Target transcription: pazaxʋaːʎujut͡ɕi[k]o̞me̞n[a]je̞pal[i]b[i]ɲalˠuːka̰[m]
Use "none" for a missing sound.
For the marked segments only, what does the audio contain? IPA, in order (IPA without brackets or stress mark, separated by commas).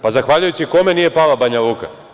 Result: k, i, a, a, none